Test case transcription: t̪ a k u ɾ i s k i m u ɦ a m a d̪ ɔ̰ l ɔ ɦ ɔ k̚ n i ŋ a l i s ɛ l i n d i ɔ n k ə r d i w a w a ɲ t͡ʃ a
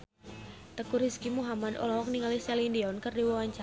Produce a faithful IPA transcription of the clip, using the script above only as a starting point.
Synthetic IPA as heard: t̪ ə k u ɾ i s k i m u ɦ a m a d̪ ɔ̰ l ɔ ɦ ɔ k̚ n i ŋ a l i s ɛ l i n d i ɔ n k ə r d i w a w a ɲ t͡ʃ a